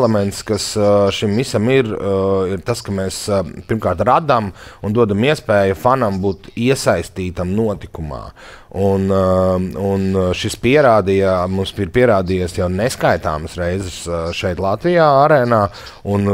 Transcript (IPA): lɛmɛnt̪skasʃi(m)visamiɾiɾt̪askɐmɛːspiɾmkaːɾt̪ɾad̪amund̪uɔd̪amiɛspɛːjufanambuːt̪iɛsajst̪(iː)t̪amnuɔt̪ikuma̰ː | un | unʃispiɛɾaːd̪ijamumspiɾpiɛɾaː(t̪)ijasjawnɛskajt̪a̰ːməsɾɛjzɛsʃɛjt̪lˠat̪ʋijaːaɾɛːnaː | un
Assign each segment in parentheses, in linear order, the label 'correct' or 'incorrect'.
correct, correct, incorrect: d̪

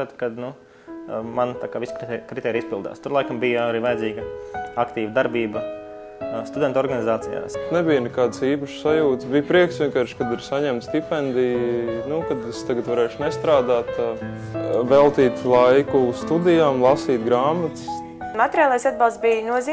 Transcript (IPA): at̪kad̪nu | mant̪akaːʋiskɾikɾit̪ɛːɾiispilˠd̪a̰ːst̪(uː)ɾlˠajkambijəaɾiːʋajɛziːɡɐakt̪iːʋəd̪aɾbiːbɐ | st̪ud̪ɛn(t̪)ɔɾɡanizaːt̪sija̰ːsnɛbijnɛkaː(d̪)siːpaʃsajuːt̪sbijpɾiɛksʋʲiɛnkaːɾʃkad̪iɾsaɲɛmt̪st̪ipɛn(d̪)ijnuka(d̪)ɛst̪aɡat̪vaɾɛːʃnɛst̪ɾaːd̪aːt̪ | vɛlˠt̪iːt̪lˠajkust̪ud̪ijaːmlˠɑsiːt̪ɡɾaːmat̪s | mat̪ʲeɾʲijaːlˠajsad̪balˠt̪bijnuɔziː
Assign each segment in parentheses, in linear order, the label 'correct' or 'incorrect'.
incorrect: u, correct, correct, correct, correct

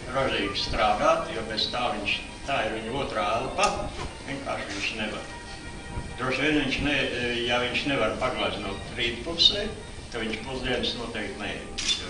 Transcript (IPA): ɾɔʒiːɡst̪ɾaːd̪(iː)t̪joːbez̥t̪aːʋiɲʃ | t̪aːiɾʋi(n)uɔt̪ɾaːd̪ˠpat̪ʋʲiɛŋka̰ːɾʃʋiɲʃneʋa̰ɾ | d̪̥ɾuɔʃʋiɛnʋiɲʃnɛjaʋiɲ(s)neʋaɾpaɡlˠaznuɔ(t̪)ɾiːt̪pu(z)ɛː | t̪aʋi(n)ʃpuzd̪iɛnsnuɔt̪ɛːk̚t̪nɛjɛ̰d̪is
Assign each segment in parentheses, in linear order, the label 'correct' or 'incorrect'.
incorrect: aː, incorrect: ɲ, incorrect: ʃ, correct, incorrect: s, incorrect: ɲ

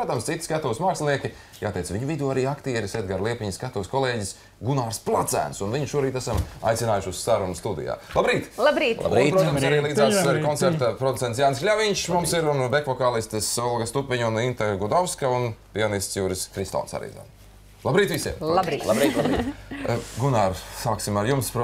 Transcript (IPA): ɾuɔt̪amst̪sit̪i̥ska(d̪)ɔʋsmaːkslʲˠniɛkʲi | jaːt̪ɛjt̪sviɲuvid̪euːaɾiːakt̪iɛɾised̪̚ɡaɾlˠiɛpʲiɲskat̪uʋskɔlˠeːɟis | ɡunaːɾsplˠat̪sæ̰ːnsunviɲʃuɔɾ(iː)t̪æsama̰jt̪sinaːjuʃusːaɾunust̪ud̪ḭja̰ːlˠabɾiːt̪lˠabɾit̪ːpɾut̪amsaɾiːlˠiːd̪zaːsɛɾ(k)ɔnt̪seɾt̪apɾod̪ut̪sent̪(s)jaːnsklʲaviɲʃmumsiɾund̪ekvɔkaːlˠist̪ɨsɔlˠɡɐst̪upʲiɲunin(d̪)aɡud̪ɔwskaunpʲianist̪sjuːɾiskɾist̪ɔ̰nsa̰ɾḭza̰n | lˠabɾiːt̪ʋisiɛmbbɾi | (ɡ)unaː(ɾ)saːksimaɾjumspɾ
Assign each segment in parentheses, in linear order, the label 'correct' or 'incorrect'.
incorrect: t̪, correct, correct, correct, incorrect: t̪, correct, correct

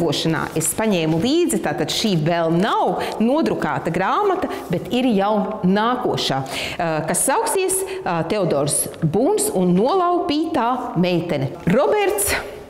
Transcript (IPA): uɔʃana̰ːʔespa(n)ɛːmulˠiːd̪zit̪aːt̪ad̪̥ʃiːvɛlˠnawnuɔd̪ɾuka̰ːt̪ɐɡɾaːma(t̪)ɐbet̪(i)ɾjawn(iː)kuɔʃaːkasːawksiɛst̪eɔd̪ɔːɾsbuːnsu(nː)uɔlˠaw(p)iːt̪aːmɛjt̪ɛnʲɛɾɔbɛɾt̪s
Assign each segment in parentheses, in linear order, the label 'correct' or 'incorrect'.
incorrect: ɲ, correct, correct, incorrect: aː, correct, correct

